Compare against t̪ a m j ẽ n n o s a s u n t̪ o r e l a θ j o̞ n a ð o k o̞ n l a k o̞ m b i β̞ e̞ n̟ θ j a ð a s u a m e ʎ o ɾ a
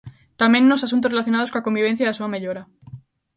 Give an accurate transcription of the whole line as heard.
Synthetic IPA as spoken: t̪ a m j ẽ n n o s a s u n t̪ o r e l a θ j o̞ n a ð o k o̞ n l a k o̞ m b i β̞ e̞ n̟ θ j a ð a s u a m e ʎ o ɾ a